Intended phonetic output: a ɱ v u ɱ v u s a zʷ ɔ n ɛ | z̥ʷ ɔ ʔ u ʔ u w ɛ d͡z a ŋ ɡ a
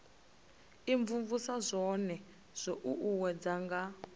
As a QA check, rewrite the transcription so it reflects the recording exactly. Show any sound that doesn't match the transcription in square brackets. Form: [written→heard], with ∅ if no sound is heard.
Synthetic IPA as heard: [a→i] ɱ v u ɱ v u s a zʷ ɔ n ɛ | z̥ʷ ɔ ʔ u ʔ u w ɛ d͡z a ŋ ɡ a